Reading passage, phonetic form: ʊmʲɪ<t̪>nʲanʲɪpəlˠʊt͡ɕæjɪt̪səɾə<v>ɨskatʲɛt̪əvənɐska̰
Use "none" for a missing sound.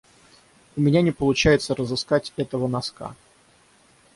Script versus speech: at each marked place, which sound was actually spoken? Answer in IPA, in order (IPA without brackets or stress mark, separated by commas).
none, z